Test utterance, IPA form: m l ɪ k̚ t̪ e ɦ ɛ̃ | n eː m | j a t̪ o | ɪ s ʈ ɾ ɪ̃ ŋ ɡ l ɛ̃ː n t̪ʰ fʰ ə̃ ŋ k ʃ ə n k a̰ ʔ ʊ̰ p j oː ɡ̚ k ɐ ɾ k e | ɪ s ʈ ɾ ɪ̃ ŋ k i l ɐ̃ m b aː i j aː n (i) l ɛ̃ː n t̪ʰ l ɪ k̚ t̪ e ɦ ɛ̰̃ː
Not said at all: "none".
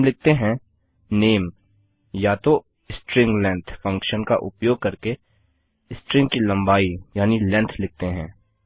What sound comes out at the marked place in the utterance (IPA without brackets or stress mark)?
i